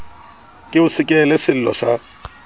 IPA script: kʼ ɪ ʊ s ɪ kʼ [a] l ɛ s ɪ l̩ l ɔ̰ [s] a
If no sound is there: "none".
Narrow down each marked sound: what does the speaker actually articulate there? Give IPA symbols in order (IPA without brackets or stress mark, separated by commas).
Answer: ɛ, s